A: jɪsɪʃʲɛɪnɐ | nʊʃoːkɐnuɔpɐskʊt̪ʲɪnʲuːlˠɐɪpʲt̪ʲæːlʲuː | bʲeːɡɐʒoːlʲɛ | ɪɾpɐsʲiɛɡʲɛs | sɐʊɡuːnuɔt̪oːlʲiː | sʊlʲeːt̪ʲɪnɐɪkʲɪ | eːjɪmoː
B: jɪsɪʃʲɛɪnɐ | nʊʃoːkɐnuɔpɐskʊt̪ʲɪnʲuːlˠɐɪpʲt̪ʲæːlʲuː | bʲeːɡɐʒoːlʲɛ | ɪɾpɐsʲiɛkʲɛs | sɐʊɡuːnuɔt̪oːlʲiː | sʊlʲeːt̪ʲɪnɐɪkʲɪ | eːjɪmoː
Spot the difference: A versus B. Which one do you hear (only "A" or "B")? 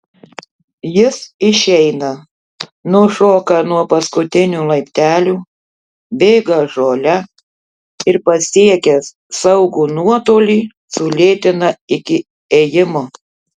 B